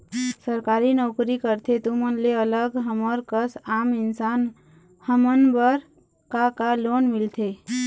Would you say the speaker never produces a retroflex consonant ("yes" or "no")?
yes